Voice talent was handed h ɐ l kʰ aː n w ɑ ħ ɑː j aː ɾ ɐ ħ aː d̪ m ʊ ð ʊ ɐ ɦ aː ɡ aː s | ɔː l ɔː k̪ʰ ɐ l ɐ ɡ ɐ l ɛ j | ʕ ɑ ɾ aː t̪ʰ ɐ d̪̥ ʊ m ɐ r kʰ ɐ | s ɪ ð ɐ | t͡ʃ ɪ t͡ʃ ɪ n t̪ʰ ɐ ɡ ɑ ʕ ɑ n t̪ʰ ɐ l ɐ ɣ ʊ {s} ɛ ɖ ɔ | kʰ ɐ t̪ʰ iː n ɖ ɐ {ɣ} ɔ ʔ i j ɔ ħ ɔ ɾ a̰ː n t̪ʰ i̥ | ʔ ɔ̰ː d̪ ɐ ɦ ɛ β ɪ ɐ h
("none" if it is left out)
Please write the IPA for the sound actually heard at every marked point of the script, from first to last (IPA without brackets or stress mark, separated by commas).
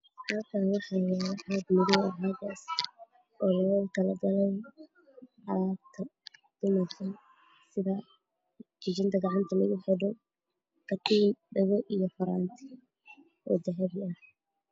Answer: ħ, ɣ